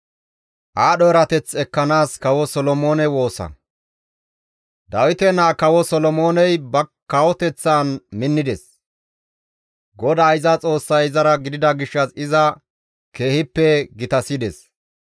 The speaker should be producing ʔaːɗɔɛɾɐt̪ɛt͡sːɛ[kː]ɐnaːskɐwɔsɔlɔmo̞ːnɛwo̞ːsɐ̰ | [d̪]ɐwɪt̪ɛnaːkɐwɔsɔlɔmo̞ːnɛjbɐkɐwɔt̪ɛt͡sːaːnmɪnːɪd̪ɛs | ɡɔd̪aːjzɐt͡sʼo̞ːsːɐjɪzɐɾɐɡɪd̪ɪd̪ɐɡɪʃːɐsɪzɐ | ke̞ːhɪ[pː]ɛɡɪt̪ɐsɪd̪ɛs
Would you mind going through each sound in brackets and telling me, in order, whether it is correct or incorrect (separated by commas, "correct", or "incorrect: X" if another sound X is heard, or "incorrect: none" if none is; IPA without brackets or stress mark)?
correct, correct, correct